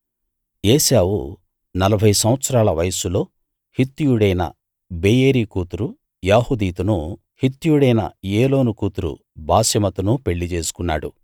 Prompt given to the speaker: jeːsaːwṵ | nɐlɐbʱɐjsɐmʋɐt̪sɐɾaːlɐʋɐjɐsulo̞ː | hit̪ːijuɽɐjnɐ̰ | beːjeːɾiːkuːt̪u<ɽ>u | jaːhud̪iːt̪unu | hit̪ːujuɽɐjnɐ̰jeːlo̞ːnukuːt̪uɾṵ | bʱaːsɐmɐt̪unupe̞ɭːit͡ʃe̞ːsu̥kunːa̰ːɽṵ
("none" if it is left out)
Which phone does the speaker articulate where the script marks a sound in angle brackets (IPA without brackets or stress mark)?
ɾ